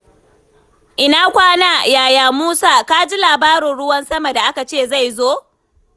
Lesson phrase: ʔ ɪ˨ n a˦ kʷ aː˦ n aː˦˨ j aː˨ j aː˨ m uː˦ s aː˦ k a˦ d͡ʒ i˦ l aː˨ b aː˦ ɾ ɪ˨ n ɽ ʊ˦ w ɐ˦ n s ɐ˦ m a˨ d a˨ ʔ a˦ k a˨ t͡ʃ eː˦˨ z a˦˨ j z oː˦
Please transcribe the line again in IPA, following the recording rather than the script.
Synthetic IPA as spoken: ʔ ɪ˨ n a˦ kʷ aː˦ n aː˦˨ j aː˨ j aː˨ m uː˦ s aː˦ k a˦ d͡ʒ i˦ l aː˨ b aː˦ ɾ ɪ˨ n ɽ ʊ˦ w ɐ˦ n s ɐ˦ m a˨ d a˨ ʔ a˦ k a˨ t͡ʃ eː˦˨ z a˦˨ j z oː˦

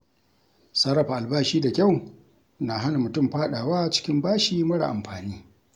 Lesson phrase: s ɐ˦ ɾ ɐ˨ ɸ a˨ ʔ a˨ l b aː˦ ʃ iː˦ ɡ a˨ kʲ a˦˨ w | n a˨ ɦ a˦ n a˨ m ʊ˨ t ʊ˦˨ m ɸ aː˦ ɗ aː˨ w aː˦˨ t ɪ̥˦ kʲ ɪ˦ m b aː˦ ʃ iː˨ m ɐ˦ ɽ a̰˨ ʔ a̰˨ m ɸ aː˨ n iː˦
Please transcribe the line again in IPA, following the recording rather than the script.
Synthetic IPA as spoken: s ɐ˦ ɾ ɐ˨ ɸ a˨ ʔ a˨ l b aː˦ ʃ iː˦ d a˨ kʲ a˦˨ w | n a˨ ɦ a˦ n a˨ m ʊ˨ t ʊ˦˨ m ɸ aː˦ ɗ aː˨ w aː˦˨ t͡ʃ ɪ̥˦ kʲ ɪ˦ m b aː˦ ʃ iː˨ m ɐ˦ ɽ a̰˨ ʔ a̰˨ m ɸ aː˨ n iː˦

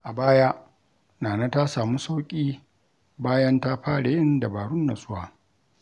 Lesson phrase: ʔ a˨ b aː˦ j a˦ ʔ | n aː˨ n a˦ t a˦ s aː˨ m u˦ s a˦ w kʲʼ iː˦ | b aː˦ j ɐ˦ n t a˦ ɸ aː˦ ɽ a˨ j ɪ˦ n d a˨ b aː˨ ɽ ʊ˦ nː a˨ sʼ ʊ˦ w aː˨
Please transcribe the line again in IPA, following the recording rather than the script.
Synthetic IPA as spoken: ʔ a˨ b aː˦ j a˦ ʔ | n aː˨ n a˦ t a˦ s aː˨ m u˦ s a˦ w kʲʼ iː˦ | b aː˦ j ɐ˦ n t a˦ ɸ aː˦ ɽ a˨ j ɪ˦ n d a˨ b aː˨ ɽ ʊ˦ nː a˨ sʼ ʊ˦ w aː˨

